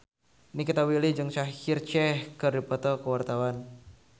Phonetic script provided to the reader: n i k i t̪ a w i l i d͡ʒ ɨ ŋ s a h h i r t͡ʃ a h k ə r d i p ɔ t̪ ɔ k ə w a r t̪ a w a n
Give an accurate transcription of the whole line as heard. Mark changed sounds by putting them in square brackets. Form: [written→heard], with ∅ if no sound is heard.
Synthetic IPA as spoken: n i k i t̪ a w i l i d͡ʒ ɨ ŋ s a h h i r t͡ʃ [a→ɛ] h k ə r d i p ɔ t̪ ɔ k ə w a r t̪ a w a n